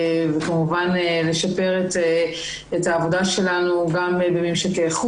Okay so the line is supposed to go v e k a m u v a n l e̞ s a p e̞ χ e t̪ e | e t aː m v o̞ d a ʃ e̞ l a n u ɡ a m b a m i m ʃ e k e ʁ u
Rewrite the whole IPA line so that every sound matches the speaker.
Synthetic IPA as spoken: v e k a m u v a n l e̞ ʃ a p e̞ ʁ e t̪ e | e t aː v o̞ d a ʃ e̞ l a n u ɡ a m b e m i m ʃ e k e χ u

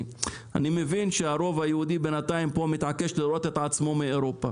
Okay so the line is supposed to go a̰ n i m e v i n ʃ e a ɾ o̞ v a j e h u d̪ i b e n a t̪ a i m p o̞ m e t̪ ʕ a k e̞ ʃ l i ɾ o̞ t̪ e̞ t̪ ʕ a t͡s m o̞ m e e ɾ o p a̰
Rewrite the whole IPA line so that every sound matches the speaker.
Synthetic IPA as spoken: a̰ n i m e v i n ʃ e a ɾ o̞ v a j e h u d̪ i b e n a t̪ a i m p o̞ m i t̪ ʕ a k e̞ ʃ l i ɾ o̞ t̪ e̞ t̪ ʕ a t͡s m o̞ m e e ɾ o p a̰

